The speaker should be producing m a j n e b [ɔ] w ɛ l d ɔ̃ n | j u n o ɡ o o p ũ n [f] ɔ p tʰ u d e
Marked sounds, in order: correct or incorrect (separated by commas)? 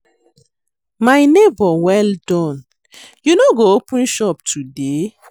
correct, incorrect